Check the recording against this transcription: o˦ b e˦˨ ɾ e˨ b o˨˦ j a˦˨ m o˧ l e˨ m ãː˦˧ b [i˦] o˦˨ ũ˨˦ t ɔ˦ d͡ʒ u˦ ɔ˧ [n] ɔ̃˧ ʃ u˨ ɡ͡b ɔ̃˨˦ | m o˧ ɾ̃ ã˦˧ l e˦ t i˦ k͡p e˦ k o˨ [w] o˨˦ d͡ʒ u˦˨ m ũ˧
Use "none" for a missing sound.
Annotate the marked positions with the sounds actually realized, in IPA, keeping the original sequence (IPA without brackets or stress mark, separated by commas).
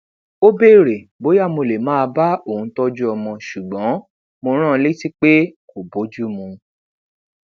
a˦, m, b